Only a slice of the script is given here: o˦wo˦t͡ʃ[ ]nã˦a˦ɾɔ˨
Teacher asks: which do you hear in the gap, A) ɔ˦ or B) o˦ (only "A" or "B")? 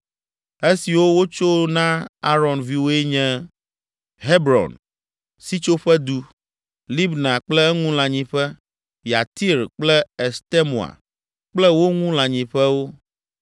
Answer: B